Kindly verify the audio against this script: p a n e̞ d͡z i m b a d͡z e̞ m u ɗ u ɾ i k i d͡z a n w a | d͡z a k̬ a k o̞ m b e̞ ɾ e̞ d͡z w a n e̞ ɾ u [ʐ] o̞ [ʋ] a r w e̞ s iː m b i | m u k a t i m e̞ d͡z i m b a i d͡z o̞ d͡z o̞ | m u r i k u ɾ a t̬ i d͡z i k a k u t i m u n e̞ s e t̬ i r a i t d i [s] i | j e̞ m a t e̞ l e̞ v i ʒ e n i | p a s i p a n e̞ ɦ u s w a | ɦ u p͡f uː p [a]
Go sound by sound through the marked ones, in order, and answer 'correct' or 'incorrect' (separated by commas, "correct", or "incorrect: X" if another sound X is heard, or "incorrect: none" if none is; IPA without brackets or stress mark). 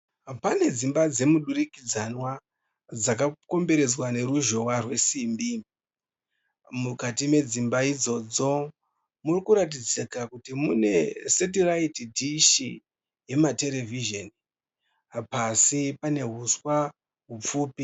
incorrect: ʒ, incorrect: w, incorrect: ʃ, incorrect: i